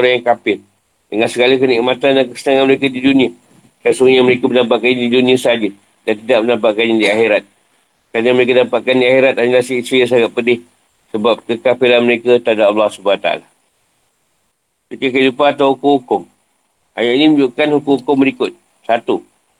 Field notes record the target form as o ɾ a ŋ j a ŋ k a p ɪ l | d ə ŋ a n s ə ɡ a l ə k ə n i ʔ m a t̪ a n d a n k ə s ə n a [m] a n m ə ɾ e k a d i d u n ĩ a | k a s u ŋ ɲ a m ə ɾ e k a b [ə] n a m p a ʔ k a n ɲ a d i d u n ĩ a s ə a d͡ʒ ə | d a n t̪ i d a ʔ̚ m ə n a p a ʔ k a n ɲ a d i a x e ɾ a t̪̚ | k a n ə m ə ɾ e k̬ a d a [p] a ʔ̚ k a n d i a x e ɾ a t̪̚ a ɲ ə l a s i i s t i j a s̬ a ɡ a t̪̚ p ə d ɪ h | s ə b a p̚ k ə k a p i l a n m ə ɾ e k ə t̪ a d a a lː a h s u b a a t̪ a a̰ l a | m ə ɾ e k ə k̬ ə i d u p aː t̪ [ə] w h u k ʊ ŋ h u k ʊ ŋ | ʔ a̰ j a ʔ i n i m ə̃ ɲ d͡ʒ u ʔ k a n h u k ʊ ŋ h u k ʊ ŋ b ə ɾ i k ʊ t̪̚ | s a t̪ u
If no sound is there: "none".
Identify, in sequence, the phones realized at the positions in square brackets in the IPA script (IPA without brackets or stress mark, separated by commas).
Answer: ŋ, ə, p, a